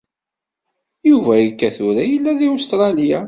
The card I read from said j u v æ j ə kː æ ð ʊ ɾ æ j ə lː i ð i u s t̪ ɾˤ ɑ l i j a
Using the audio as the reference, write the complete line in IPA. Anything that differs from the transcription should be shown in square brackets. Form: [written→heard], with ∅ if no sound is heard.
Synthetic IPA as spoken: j u v æ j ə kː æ [ð→θ] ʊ ɾ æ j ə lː [i→æ] ð i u s t̪ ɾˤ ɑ l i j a